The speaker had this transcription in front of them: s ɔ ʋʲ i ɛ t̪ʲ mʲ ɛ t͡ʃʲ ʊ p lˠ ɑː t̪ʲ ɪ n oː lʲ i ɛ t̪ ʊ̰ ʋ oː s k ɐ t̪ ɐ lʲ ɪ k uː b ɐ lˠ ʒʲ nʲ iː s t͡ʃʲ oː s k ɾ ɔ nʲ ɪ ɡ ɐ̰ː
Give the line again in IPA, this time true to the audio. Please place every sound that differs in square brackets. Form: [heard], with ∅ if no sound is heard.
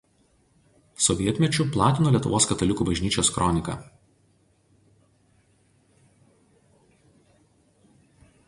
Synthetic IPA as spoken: s ɔ ʋʲ i ɛ t̪ʲ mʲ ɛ t͡ʃʲ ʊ p lˠ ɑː t̪ʲ ɪ n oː lʲ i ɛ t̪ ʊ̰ ʋ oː s k ɐ t̪ ɐ lʲ ɪ k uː b ɐ [∅] ʒʲ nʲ iː [∅] t͡ʃʲ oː s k ɾ ɔ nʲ ɪ [k] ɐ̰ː